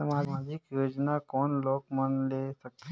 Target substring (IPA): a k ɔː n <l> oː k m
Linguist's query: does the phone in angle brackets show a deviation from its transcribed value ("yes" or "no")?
no